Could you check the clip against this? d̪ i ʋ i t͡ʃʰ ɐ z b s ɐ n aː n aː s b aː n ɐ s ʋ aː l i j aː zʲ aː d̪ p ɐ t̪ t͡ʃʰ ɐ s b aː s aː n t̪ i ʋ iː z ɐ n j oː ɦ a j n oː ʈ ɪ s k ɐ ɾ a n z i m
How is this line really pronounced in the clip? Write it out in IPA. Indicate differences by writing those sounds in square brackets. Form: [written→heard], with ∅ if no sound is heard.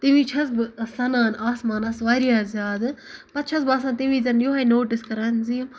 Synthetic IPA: [d̪→t̪] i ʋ i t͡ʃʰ ɐ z b s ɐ n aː n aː s [b→m] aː n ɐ s ʋ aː [l→ɾ] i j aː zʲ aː d̪ p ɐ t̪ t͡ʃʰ ɐ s b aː s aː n t̪ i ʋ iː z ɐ n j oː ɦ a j n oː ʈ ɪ s k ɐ ɾ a n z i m